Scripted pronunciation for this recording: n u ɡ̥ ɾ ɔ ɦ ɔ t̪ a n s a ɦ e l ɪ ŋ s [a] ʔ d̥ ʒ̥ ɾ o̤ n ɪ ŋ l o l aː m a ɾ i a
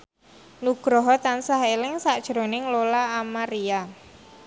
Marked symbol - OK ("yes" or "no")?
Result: yes